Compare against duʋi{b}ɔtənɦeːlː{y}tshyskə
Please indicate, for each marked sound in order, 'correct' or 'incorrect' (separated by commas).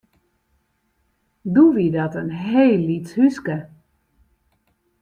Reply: incorrect, incorrect